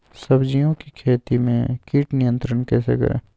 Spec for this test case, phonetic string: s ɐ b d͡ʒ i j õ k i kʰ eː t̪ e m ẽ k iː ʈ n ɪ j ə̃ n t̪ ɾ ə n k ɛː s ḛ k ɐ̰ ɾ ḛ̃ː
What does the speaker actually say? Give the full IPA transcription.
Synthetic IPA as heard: s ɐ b d͡ʒ i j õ k i kʰ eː t̪ i m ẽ k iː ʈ n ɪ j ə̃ n t̪ ɾ ə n k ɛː s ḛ k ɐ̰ ɾ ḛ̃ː

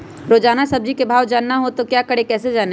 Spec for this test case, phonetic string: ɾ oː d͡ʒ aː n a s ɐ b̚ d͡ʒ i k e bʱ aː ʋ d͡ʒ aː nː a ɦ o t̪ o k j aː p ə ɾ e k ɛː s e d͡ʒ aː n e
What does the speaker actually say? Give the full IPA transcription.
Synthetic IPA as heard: ɾ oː d͡ʒ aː n a s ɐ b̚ d͡ʒ i k e bʱ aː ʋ d͡ʒ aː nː a ɦ o t̪ o k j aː k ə ɽ e k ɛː s e d͡ʒ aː n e

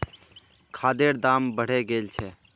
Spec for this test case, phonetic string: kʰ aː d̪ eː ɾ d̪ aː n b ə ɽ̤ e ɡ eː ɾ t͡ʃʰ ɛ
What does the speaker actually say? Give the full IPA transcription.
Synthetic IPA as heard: kʰ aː d̪ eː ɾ d̪ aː m b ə ɽ̤ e ɡ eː l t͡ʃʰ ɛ

